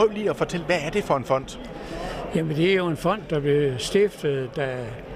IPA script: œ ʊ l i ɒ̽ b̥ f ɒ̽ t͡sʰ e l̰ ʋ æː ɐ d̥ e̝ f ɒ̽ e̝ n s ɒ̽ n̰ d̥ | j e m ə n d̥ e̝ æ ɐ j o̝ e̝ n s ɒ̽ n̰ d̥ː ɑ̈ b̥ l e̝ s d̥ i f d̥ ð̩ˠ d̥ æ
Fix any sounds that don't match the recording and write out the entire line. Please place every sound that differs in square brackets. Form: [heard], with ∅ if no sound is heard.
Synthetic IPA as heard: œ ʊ l i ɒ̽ [∅] f ɒ̽ t͡sʰ e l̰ ʋ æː ɐ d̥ e̝ f ɒ̽ e̝ n [f] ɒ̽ n̰ d̥ | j [æ] m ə n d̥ e̝ æ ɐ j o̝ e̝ n [f] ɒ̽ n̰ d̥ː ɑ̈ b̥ l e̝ s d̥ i f d̥ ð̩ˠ d̥ æ